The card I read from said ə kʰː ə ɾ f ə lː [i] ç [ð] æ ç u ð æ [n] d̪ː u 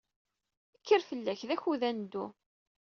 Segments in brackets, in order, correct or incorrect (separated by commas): incorrect, correct, correct